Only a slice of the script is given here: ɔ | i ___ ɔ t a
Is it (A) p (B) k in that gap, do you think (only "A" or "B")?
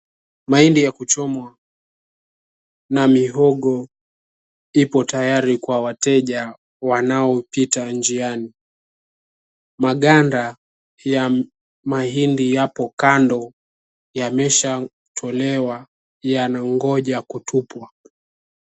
A